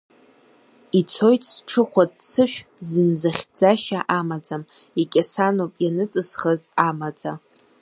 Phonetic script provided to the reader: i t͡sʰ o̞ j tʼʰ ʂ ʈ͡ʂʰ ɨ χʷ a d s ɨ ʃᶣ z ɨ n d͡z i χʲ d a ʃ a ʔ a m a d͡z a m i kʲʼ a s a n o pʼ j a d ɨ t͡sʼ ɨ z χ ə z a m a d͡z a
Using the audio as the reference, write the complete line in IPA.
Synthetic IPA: i t͡sʰ o̞ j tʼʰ s ʈ͡ʂʰ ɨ χʷ a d s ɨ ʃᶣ z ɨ n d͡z a χʲ d͡z a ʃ a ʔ a m a d͡z a m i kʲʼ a s a n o pʼ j a n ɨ t͡sʼ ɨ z χ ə z a m a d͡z a